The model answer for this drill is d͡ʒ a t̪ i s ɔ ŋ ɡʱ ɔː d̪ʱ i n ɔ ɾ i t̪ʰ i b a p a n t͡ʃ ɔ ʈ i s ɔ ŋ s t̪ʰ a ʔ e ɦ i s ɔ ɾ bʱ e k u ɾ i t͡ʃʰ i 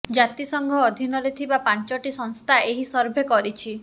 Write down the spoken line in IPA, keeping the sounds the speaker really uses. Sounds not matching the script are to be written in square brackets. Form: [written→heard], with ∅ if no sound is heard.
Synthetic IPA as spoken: d͡ʒ a t̪ i s ɔ ŋ ɡʱ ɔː d̪ʱ i n ɔ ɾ [i→e] t̪ʰ i b a p a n t͡ʃ ɔ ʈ i s ɔ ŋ s t̪ʰ a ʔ e ɦ i s ɔ ɾ bʱ e k [u→ɔ] ɾ i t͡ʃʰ i